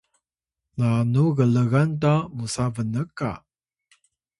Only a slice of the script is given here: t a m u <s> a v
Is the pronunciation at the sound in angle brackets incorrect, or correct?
correct